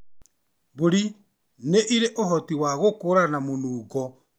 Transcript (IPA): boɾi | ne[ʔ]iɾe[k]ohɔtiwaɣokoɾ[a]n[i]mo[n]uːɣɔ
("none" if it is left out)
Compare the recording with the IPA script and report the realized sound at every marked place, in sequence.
ʔ, ʔ, a, a, n

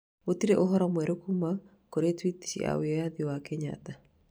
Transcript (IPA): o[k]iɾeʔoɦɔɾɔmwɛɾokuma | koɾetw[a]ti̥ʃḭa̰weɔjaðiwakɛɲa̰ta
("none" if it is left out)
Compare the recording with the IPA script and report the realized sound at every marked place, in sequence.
t, i

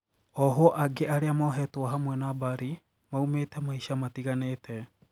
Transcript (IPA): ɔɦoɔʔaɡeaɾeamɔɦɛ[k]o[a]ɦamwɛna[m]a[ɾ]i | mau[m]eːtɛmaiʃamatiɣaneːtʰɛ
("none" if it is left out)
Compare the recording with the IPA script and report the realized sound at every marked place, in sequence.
t, a, b, ɾ, m

